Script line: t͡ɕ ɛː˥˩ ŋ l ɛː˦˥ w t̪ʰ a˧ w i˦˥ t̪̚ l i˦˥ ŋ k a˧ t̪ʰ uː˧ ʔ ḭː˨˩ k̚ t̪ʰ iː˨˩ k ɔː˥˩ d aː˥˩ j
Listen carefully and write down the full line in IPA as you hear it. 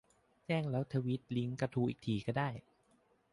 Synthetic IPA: t͡ɕ ɛː˥˩ ŋ l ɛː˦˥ w t̪ʰ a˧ w i˦˥ t̪̚ l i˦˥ ŋ k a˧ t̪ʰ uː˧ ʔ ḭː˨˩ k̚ t̪ʰ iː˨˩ k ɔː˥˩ d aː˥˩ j